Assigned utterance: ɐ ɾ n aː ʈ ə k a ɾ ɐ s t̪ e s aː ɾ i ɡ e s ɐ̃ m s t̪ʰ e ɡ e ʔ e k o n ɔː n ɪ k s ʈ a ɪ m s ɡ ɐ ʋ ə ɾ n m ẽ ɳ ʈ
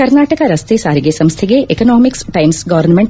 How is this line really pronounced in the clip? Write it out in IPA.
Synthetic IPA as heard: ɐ ɾ n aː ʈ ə k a ɾ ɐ s t̪ e s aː ɾ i ɡ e s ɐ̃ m s t̪ʰ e ɡ e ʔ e k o n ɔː m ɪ k s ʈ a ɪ m s ɡ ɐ ʋ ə ɾ n m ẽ ɳ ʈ